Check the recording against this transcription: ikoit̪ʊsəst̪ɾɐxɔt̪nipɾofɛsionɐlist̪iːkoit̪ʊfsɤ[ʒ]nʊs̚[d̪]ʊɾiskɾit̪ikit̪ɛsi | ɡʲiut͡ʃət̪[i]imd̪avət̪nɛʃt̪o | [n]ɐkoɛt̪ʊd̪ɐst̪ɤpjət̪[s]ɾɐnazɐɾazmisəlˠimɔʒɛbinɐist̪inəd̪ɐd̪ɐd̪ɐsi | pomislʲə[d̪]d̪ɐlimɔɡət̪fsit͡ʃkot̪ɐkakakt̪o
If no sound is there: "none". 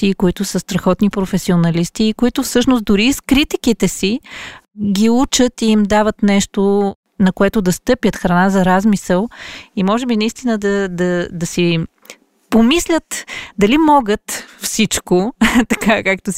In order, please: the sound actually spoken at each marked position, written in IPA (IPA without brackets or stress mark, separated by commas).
ʃ, d̪, i, n, x, t̪